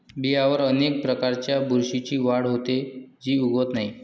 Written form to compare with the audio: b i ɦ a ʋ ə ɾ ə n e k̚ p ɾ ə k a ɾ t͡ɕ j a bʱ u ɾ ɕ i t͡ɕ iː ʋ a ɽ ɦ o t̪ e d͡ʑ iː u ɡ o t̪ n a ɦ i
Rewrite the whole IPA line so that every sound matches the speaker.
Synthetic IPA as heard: b i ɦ a ʋ ə ɾ ə n e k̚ p ɾ ə k a ɾ t͡ɕ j a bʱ u ɾ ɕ i t͡ɕ iː ʋ a ɽ ɦ o t̪ e d͡ʑ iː u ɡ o t̪ n a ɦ i